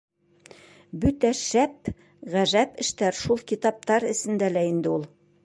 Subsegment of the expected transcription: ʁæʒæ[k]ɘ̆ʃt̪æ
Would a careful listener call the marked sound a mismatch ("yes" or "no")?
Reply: yes